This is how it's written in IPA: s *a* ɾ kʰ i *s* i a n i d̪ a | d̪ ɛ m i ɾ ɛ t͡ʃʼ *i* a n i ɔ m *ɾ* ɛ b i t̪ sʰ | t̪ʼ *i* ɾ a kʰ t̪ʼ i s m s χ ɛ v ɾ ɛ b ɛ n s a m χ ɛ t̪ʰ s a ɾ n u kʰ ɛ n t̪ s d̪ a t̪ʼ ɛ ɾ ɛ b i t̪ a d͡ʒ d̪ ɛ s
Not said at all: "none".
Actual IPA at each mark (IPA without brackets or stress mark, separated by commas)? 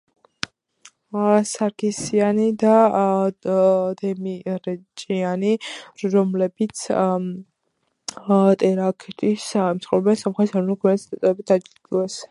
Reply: a, s, i, l, ɛ